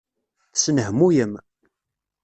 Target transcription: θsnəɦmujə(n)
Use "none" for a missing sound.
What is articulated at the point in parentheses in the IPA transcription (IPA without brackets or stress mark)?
m